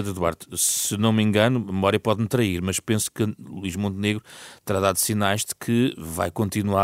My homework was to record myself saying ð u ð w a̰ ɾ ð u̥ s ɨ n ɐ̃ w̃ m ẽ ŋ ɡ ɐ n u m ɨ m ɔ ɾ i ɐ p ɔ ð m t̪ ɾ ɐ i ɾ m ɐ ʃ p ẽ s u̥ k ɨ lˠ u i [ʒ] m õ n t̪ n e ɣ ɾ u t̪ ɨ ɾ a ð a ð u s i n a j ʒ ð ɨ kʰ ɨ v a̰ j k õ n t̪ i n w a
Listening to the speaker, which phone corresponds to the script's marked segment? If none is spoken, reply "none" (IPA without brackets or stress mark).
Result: ʒ